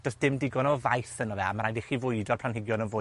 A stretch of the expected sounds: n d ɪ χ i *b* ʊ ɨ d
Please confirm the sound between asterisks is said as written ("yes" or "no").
no